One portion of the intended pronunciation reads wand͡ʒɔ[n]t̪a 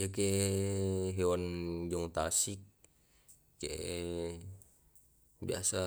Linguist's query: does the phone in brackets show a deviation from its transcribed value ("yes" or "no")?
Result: yes